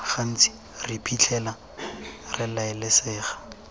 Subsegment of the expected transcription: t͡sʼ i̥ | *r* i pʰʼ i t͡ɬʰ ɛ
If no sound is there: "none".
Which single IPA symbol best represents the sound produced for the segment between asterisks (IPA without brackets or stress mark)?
r